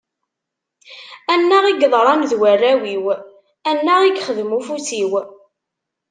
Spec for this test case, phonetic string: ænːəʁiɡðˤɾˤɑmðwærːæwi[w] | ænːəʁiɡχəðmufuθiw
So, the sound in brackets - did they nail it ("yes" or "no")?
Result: yes